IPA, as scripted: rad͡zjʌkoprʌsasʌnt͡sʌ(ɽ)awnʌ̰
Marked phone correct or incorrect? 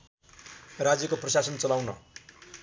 incorrect